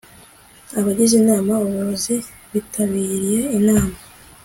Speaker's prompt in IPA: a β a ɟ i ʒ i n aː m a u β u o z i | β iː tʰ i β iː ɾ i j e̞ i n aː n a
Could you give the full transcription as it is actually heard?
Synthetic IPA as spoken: a β a ɟ i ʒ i n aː m a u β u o z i | β i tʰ a β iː ɾ i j e̞ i n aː m a